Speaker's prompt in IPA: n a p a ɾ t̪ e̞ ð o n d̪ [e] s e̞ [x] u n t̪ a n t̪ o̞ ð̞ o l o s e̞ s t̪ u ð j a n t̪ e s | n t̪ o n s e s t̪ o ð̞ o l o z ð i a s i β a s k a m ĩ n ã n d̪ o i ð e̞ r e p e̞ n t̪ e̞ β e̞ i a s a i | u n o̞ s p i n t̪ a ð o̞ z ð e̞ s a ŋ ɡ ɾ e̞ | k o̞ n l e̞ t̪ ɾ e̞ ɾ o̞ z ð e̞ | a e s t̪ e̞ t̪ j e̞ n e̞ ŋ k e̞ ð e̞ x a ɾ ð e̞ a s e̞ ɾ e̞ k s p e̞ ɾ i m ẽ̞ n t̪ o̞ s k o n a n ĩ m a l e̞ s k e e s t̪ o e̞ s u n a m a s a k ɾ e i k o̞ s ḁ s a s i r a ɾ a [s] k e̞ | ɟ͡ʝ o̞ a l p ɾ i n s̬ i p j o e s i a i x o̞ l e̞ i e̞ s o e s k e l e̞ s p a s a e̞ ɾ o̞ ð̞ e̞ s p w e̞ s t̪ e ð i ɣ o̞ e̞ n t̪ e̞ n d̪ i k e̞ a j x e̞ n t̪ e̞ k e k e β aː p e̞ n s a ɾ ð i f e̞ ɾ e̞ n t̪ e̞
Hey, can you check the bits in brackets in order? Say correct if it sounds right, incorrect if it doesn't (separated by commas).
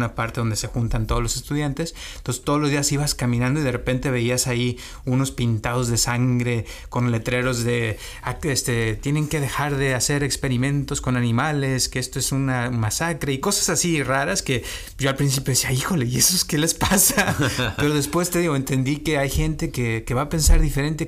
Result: correct, correct, correct